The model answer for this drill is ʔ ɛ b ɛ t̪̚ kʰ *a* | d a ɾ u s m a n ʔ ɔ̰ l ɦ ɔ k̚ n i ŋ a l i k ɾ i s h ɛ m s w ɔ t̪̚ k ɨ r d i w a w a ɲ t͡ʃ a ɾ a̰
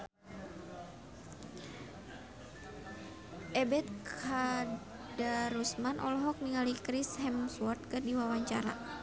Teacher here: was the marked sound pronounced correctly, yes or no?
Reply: yes